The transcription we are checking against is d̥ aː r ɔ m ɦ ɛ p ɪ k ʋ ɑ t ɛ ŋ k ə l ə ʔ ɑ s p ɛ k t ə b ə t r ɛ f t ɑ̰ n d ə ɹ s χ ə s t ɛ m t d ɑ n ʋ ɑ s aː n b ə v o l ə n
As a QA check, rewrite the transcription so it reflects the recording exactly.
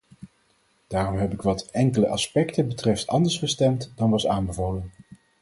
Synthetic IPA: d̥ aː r ɔ m ɦ ɛ p ɪ k ʋ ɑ t ɛ ŋ k ə l ə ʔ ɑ s p ɛ k t ə b ə t r ɛ f t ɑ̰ n d ə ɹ s χ ə s t ɛ m t d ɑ n ʋ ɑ s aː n b ə v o l ə n